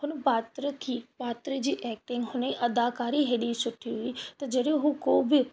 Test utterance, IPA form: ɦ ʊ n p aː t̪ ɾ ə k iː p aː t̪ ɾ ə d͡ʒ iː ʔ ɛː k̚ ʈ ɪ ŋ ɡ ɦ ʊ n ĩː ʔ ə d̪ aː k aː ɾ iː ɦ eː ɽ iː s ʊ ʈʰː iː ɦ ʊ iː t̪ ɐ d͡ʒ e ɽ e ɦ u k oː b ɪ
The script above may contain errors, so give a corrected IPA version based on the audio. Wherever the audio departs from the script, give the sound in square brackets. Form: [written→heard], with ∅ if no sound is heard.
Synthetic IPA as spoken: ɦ ʊ n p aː t̪ ɾ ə k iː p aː t̪ ɾ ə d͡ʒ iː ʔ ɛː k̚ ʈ ɪ ŋ ɡ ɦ ʊ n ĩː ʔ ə d̪ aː k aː ɾ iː ɦ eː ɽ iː s ʊ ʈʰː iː ɦ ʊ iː t̪ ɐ d͡ʒ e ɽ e ɦ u k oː b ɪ